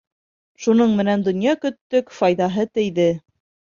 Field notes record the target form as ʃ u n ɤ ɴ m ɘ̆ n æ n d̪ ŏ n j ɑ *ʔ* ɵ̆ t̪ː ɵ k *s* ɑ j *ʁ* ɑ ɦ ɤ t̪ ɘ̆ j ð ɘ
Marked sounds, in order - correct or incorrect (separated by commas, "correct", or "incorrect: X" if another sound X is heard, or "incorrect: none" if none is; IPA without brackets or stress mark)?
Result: incorrect: k, incorrect: f, incorrect: ð